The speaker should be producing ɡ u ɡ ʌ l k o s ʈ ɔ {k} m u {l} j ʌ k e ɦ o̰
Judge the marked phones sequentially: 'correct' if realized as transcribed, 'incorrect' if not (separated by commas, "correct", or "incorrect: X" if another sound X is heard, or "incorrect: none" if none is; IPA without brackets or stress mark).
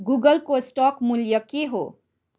correct, correct